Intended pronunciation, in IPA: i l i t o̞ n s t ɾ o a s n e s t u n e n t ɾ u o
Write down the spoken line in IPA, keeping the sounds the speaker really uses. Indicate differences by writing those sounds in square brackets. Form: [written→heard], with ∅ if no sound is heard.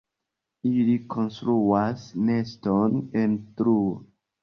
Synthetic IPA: i l i [t→k] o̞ n s t ɾ [o→u] a s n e s t [u→o] n e n t ɾ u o